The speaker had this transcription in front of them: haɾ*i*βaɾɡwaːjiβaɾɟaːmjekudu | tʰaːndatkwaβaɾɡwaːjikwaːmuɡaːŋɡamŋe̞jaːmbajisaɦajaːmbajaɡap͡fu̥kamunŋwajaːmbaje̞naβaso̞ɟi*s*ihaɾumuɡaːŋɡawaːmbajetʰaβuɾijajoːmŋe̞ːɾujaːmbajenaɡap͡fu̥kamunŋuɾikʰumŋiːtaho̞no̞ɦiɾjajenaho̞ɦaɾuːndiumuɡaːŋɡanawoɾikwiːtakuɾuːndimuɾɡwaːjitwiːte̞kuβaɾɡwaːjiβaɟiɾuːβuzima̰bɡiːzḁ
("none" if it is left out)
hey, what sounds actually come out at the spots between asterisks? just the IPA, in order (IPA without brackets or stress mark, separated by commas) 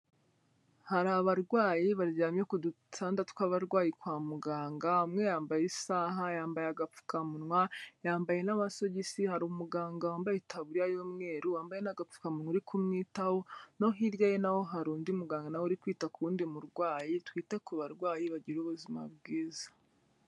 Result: a, s